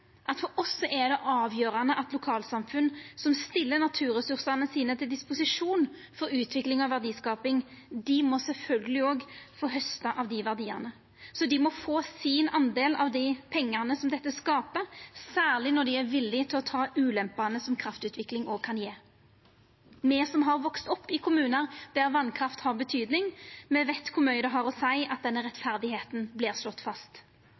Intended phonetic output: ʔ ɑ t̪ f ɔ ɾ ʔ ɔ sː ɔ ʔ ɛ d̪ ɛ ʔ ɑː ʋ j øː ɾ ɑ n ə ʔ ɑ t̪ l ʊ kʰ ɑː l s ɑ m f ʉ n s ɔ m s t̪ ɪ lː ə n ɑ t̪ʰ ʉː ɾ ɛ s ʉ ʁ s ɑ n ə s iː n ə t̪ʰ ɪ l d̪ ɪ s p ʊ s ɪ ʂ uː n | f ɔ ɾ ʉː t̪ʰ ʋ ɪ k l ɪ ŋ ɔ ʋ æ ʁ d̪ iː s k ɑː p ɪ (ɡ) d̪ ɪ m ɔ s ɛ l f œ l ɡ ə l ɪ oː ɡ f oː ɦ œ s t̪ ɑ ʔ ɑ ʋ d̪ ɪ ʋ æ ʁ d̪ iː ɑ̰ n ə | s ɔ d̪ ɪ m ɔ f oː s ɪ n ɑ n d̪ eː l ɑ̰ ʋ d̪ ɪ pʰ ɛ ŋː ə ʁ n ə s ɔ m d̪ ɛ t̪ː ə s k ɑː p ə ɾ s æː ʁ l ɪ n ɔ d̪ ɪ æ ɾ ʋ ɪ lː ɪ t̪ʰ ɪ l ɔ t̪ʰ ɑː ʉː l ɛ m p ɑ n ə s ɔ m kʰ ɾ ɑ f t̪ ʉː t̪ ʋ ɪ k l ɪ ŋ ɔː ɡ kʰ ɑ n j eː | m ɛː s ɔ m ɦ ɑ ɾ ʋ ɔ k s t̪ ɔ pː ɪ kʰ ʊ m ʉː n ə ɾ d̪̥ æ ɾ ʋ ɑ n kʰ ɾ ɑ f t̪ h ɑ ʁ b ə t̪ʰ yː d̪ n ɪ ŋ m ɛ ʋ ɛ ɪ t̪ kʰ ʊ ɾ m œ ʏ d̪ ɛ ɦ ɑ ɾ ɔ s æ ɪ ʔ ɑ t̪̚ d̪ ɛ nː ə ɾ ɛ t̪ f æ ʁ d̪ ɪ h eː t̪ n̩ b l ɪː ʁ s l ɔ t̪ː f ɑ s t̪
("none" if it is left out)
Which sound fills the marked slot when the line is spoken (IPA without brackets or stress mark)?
ŋ